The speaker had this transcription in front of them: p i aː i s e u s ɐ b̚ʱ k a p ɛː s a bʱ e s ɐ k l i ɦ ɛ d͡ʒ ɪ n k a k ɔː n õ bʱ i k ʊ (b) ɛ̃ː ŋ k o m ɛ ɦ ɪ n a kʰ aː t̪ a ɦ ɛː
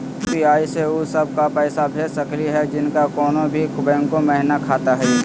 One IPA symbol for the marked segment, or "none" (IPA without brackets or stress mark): b